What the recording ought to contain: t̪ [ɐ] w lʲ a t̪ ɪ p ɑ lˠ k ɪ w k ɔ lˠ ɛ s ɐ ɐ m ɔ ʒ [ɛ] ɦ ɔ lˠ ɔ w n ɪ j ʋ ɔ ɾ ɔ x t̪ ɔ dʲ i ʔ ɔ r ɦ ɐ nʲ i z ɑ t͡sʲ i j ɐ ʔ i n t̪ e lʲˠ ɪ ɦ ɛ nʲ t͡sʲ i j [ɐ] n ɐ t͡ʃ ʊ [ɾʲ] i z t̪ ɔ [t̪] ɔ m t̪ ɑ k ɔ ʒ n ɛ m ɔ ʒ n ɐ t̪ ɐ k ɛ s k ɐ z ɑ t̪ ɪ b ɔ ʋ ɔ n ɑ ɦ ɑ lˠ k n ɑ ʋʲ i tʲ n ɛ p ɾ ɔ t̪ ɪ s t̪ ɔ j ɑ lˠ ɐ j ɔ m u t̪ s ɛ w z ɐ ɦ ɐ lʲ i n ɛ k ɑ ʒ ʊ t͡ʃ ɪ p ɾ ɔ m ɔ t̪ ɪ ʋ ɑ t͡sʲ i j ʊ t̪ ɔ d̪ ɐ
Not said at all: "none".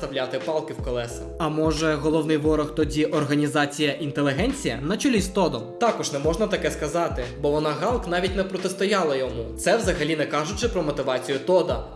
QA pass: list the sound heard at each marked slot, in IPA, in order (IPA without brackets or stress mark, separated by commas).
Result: ɐ, ɛ, ɐ, lʲ, d̪